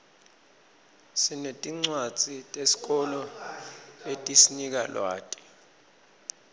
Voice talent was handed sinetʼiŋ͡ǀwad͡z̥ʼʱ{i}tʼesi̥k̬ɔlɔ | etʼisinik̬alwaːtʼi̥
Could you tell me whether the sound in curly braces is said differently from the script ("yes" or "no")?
no